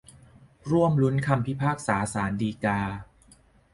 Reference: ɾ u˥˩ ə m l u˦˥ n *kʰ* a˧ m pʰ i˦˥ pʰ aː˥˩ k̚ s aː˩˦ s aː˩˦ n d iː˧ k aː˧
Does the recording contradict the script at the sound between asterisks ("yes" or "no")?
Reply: no